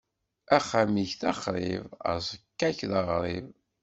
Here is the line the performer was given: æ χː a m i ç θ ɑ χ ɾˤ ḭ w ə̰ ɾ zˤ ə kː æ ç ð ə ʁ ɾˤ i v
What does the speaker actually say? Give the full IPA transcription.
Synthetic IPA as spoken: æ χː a m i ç θ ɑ χ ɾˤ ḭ v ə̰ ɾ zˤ ə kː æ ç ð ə ʁ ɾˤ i v